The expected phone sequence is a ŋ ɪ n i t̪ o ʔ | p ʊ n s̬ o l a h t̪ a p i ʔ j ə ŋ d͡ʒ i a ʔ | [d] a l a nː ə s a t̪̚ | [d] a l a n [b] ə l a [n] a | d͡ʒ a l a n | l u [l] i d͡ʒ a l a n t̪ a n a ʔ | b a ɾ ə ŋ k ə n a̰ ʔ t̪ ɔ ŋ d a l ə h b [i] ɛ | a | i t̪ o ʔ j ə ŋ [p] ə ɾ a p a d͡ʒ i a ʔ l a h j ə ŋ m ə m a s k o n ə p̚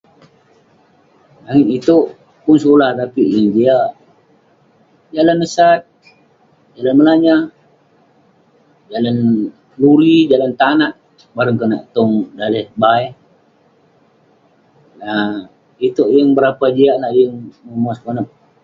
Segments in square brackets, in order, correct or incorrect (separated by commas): incorrect, incorrect, incorrect, incorrect, incorrect, incorrect, incorrect